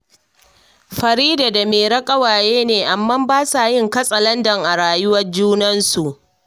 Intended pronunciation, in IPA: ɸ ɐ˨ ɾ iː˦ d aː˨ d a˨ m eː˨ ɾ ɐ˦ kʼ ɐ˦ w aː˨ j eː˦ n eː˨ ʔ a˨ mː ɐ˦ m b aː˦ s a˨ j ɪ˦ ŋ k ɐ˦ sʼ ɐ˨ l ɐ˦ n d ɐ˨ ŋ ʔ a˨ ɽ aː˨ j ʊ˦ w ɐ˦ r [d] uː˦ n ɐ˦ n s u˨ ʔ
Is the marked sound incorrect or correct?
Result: incorrect